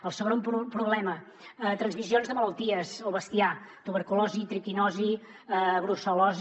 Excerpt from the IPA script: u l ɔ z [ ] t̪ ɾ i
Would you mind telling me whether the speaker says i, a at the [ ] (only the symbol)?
i